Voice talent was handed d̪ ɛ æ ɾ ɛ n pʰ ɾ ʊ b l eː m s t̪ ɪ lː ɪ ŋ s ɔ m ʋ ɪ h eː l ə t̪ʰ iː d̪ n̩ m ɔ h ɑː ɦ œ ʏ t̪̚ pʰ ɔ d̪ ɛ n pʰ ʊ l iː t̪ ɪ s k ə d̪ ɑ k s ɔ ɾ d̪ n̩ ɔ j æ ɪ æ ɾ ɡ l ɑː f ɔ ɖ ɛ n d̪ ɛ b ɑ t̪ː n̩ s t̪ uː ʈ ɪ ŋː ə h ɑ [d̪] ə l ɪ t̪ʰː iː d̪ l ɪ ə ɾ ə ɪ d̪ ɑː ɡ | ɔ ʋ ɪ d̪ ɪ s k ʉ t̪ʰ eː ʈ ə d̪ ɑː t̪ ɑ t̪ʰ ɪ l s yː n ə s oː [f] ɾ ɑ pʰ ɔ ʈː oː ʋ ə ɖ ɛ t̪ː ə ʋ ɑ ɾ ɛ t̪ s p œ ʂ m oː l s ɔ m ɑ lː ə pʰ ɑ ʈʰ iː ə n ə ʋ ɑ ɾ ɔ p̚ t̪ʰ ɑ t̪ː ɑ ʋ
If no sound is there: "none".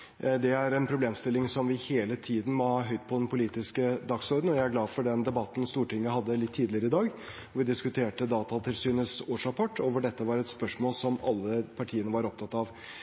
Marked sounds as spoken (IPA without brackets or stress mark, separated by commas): d̪ː, ʂ